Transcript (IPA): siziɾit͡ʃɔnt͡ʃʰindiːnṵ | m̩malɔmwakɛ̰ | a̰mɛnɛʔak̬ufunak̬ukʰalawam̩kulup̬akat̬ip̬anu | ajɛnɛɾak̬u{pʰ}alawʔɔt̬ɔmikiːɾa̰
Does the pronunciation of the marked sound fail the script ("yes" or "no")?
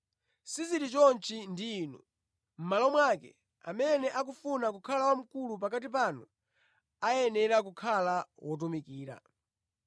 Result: yes